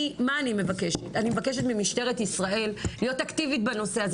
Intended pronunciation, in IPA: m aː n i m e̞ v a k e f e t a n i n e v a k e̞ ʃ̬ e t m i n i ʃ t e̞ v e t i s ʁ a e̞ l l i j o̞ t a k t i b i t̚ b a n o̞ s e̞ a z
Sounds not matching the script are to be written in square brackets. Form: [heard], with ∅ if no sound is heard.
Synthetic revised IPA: m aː n i m e̞ v a k e [ʃ] e t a n i [m] e v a k e̞ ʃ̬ e t m i [m] i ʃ t e̞ [ʁ] e t i s ʁ a e̞ l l i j o̞ t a k t i [v] i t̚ b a n o̞ s e̞ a z